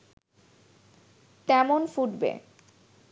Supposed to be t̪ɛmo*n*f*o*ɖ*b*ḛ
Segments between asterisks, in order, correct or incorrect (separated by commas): correct, incorrect, correct